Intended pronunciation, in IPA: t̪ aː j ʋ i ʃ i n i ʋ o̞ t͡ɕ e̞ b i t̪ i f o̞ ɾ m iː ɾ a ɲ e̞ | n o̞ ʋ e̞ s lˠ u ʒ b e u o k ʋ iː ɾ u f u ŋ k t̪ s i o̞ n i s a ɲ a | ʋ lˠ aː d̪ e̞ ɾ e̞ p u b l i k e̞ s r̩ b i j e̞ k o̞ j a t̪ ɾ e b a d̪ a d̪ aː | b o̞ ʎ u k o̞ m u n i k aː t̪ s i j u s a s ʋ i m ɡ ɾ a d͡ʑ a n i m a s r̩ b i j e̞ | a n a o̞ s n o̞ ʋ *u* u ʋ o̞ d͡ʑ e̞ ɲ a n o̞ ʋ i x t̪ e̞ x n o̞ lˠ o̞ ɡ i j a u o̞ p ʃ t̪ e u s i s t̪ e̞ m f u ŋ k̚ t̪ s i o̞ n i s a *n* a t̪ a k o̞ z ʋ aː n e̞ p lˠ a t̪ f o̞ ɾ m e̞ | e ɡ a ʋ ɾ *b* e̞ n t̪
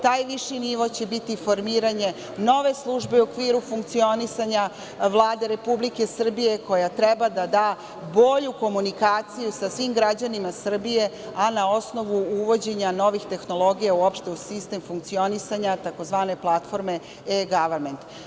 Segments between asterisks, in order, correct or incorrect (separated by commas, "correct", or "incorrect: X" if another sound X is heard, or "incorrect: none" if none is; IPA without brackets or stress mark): correct, incorrect: ɲ, incorrect: m